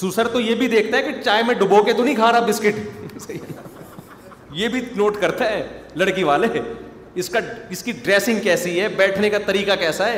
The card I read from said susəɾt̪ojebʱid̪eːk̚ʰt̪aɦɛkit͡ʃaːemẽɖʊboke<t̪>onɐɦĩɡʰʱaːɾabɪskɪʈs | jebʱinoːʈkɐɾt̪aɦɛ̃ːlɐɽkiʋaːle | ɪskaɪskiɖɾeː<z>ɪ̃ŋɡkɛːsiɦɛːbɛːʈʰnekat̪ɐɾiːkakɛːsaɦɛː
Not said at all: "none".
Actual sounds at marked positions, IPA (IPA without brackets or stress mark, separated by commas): t̪, s